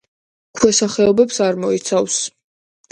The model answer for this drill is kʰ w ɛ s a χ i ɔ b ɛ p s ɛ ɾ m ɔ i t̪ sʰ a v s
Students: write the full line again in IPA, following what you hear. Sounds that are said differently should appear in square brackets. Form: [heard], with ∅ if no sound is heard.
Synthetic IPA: kʰ w ɛ s a χ [ɛ] ɔ b ɛ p s [a] ɾ m ɔ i t̪ sʰ a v s